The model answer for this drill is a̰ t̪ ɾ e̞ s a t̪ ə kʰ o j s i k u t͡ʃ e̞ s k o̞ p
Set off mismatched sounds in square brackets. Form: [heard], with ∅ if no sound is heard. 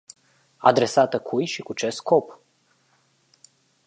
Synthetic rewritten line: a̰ [d̪] ɾ e̞ s a t̪ ə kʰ [u] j [ʃ] i k u t͡ʃ e̞ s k o̞ p